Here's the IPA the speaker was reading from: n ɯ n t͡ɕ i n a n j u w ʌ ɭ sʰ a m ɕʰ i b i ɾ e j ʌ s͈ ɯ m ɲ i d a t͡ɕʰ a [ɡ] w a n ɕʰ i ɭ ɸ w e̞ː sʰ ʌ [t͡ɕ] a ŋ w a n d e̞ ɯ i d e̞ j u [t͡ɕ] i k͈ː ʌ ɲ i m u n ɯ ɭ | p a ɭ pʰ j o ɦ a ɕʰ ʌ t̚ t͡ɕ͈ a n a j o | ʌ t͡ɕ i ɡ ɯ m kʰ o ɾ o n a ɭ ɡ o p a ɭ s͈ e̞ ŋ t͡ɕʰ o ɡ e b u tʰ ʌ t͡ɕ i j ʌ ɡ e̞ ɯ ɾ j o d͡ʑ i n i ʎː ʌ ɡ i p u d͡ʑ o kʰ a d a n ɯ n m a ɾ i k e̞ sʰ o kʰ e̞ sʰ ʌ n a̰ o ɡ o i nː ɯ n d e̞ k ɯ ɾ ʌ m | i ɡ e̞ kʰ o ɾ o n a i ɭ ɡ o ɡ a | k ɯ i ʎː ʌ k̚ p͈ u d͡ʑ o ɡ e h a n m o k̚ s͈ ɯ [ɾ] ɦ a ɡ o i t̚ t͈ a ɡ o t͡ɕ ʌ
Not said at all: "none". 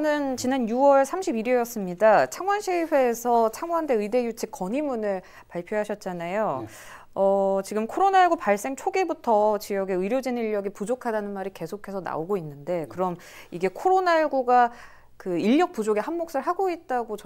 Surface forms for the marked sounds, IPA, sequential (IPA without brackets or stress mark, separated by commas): ŋ, t͡ɕʰ, t͡ɕʰ, ɭ